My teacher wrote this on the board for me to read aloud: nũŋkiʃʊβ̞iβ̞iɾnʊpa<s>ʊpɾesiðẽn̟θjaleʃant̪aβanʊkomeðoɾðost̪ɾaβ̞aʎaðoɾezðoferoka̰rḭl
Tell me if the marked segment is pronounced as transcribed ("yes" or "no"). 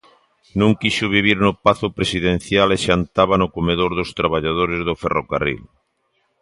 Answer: no